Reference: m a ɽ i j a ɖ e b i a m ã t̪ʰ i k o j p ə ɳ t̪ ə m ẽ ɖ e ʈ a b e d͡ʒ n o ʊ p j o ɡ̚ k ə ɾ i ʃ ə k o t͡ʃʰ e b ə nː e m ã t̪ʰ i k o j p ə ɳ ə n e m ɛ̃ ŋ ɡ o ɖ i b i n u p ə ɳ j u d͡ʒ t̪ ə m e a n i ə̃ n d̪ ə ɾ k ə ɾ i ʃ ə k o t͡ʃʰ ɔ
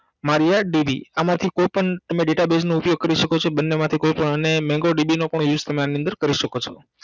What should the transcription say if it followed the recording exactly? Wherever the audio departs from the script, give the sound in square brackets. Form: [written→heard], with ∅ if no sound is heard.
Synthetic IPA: m a [ɽ→ɾ] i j a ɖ [e→i] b i a m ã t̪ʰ i k o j p ə ɳ t̪ ə m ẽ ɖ e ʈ a b e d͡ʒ n o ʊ p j o ɡ̚ k ə ɾ i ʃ ə k o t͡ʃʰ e b ə nː e m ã t̪ʰ i k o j p ə ɳ ə n e m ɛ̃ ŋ ɡ o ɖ i b i n [u→o] p ə ɳ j u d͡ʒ t̪ ə m e a n i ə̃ n d̪ ə ɾ k ə ɾ i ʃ ə k o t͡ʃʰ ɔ

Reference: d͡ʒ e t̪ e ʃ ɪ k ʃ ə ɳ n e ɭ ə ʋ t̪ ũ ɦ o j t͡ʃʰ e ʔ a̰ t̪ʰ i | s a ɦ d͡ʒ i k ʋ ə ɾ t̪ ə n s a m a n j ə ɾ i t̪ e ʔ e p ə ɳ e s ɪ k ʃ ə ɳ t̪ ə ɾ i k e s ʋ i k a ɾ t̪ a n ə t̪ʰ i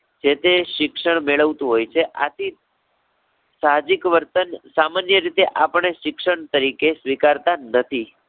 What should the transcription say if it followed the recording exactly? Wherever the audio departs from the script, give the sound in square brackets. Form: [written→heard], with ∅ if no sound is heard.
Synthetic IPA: d͡ʒ e t̪ e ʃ ɪ k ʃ ə ɳ [n→m] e ɭ ə ʋ t̪ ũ ɦ o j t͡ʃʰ e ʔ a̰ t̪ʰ i | s a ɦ d͡ʒ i k ʋ ə ɾ t̪ ə n s a m a n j ə ɾ i t̪ e ʔ [e→a] p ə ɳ e [s→ʃ] ɪ k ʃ ə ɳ t̪ ə ɾ i k e s ʋ i k a ɾ t̪ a n ə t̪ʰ i

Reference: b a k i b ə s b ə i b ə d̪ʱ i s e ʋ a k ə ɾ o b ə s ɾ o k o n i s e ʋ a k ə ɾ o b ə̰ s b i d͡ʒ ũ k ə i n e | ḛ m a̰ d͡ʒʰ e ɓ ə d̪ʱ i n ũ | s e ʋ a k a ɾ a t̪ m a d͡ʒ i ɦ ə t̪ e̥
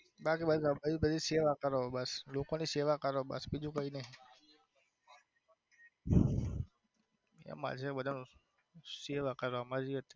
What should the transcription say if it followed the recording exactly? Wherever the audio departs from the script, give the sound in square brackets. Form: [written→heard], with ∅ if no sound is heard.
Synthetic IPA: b a k i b ə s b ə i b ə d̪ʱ i s e ʋ a k ə ɾ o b ə s [ɾ→l] o k o n i s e ʋ a k ə ɾ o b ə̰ s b i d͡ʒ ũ k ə i n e | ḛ m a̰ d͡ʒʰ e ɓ ə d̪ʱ [i→a] n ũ | s e ʋ a k [a→ə] ɾ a [t̪→∅] m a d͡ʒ i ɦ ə t̪ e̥

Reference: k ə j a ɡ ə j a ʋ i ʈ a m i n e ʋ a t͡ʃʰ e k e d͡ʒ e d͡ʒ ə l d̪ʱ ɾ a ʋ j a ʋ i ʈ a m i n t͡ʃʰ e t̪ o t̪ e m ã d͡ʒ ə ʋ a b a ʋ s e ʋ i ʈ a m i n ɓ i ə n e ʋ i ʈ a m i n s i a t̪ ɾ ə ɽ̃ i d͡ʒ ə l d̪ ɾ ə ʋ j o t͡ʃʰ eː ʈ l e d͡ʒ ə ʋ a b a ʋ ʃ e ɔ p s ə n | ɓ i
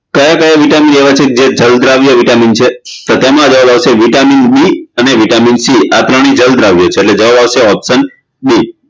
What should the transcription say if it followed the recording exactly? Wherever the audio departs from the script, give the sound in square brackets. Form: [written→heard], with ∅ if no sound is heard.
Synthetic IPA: k ə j a [ɡ→k] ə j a ʋ i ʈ a m i n e ʋ a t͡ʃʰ e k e d͡ʒ e d͡ʒ ə l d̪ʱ ɾ a ʋ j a ʋ i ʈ a m i n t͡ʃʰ e t̪ o t̪ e m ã d͡ʒ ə ʋ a b a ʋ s e ʋ i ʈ a m i n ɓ i ə n e ʋ i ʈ a m i n s i a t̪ ɾ ə ɽ̃ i d͡ʒ ə l d̪ ɾ [ə→a] ʋ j o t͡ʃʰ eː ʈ l e d͡ʒ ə ʋ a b a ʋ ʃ e ɔ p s ə n | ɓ i

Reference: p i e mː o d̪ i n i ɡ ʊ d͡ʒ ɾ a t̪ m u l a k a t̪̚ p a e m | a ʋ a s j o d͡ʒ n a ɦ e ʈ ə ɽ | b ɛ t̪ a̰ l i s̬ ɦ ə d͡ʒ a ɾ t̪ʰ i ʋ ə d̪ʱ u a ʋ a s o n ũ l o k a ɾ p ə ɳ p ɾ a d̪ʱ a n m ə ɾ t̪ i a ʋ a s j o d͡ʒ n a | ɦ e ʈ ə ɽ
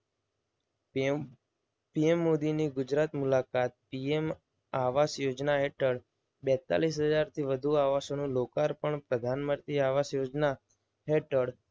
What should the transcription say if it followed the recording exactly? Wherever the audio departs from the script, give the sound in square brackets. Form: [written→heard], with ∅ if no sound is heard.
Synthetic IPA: p i e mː o d̪ i n i ɡ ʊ d͡ʒ ɾ a t̪ m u l a k a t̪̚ p [a→i] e m | a ʋ a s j o d͡ʒ n a ɦ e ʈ ə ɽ | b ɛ t̪ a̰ l i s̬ ɦ ə d͡ʒ a ɾ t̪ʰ i ʋ ə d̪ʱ u a ʋ a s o n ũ l o k a ɾ p ə ɳ p ɾ [a→ə] d̪ʱ a n m ə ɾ t̪ i a ʋ a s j o d͡ʒ n a | ɦ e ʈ ə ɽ

